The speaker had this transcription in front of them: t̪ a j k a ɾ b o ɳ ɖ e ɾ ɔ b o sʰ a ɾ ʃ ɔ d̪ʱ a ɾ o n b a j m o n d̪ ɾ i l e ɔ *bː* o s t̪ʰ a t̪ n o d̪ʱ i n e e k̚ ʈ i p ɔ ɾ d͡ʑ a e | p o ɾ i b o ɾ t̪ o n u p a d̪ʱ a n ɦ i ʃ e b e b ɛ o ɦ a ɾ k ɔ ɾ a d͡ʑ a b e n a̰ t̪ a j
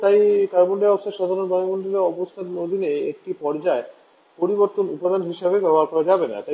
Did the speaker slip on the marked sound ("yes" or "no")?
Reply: yes